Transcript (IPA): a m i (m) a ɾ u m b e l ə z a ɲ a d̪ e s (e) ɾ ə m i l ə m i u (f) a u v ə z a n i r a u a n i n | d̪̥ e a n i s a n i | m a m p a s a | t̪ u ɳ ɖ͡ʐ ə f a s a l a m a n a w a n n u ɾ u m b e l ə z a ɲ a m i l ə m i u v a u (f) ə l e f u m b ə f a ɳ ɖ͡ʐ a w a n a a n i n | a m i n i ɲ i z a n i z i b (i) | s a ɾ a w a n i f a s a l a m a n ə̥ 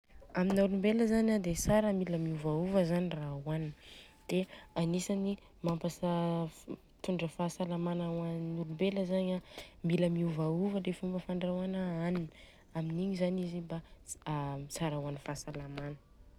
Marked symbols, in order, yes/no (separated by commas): no, no, no, no, no